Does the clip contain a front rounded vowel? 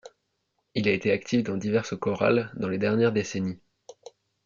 no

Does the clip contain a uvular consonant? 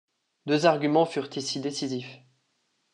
yes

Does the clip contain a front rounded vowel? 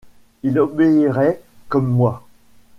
no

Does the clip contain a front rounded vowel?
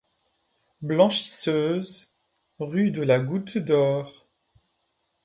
yes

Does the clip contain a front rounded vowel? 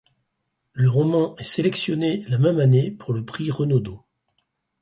no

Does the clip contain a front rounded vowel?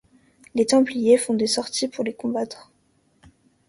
no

